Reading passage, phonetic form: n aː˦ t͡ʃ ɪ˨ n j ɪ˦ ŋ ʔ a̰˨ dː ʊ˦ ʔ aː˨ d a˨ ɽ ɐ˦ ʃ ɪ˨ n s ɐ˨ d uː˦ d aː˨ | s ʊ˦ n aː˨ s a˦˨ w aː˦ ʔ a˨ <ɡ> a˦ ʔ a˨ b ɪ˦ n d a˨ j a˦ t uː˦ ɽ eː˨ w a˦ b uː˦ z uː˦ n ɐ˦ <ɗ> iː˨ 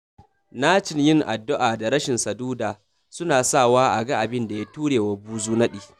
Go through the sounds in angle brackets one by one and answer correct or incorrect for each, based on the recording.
correct, correct

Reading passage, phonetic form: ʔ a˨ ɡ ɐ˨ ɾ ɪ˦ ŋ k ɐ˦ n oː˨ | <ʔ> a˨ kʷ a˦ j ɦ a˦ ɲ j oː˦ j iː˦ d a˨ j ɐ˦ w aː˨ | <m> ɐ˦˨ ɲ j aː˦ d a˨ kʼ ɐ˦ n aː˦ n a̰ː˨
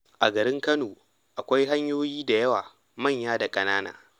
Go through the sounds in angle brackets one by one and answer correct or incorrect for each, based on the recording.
correct, correct

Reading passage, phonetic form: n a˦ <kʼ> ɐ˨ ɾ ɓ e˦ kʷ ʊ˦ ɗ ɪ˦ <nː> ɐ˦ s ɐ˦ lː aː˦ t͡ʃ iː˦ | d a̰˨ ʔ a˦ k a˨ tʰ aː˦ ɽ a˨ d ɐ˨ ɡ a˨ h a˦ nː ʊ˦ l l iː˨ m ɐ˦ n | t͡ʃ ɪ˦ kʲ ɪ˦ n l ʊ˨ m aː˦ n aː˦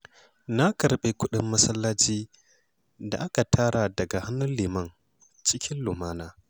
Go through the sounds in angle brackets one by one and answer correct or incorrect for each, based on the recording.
incorrect: k, incorrect: mː

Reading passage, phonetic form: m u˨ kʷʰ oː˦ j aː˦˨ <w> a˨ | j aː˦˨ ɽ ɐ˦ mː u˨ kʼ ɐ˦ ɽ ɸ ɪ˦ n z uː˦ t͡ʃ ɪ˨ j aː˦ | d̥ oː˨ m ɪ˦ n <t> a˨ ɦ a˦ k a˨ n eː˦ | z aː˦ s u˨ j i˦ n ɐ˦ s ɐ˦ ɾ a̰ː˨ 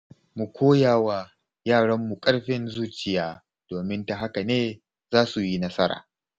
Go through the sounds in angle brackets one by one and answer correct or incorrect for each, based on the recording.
correct, correct

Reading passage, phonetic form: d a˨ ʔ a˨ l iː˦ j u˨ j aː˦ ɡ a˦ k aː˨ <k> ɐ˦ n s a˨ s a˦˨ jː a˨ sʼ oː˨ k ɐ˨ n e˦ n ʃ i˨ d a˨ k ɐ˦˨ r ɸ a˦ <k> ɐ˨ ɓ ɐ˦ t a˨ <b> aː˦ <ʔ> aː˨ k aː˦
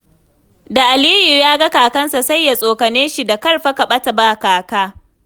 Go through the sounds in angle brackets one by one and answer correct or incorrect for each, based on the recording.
correct, correct, correct, incorrect: k

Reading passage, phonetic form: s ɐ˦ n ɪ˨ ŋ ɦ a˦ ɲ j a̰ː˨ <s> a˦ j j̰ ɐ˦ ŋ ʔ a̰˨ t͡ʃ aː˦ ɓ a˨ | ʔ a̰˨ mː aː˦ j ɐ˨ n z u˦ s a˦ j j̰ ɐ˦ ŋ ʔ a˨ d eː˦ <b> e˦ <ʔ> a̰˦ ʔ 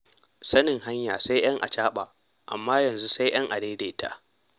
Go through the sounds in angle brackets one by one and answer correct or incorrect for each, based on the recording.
correct, incorrect: d, incorrect: t

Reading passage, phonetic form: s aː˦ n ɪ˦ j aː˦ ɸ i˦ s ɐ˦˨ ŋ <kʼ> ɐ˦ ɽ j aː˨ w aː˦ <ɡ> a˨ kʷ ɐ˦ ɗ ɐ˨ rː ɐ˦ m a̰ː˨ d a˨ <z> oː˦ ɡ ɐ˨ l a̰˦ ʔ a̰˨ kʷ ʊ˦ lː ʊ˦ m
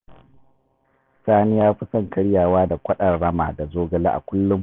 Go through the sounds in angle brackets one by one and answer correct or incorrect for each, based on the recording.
incorrect: k, incorrect: d, correct

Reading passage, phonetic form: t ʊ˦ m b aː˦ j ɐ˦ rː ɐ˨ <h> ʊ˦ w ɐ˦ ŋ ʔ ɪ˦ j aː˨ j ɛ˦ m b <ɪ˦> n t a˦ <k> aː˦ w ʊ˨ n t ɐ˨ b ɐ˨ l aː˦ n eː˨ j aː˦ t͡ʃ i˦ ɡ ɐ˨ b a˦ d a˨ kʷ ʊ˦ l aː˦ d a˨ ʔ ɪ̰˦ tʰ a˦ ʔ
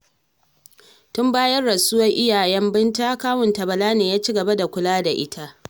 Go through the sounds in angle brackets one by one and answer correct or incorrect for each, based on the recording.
incorrect: s, correct, correct

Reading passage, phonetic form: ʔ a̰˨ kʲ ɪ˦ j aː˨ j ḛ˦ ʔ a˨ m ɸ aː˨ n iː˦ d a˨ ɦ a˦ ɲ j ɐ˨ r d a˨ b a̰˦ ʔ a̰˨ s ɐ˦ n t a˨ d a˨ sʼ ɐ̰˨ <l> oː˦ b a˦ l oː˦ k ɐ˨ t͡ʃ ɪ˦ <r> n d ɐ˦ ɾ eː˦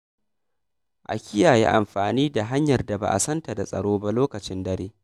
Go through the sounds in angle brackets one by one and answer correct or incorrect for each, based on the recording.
incorrect: ɽ, incorrect: none

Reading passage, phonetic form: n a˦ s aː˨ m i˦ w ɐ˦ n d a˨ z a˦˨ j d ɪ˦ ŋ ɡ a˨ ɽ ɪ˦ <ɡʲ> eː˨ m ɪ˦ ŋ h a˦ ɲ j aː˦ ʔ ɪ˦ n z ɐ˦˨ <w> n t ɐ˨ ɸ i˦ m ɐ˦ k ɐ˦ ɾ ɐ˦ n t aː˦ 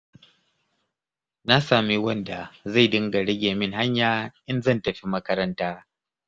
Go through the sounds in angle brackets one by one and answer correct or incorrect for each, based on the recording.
correct, incorrect: none

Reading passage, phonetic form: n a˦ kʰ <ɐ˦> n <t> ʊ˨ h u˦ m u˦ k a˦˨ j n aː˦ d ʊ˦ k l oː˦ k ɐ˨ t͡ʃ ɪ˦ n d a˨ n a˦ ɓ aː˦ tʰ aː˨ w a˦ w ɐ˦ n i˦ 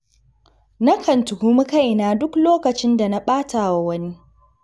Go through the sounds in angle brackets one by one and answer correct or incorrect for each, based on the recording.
incorrect: ɐ˨, correct

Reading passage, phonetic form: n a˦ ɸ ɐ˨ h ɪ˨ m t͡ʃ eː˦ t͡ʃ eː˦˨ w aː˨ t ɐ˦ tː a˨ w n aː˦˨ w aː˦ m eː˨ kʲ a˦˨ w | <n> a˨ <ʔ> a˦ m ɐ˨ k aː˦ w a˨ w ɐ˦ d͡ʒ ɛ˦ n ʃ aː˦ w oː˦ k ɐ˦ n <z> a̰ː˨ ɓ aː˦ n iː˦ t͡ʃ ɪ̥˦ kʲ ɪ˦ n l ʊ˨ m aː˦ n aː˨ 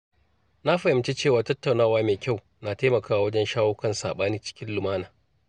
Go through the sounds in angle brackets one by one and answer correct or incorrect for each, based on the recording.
correct, incorrect: t, incorrect: s

